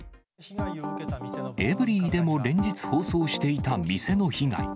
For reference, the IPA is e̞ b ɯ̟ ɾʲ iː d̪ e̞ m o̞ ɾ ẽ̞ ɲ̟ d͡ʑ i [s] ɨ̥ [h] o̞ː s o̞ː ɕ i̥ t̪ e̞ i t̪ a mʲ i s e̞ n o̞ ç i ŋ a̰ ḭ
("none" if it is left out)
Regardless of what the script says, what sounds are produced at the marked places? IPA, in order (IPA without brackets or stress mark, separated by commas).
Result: t͡s, h